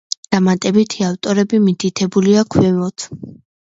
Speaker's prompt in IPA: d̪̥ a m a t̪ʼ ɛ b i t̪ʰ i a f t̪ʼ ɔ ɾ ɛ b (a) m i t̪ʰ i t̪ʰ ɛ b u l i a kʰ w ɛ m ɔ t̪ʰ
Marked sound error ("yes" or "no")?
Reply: yes